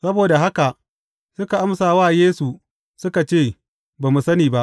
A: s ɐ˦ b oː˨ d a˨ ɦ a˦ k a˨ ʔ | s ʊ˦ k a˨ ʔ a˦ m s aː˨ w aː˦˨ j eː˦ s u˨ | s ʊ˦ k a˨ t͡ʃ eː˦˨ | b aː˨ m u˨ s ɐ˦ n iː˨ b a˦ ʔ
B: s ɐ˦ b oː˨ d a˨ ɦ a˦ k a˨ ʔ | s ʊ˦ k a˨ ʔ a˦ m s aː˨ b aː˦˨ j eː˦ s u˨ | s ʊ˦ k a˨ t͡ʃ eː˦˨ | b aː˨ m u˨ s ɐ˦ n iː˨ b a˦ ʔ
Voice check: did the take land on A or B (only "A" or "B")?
A